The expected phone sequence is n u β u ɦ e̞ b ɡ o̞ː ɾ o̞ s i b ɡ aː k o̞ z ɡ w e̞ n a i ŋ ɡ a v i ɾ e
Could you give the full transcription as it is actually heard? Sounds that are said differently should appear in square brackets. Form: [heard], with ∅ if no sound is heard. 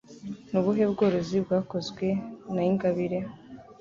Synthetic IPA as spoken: n u β u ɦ e̞ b ɡ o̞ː ɾ o̞ [z] i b ɡ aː k o̞ z ɡ w e̞ n a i ŋ ɡ a [β] i ɾ e